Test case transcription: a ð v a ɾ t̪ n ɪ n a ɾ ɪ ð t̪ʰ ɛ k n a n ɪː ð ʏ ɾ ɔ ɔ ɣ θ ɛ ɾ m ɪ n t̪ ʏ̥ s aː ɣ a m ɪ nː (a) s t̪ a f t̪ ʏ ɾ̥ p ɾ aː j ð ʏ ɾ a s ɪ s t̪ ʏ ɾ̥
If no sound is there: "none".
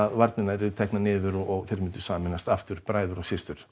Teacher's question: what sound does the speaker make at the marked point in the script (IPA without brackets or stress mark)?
a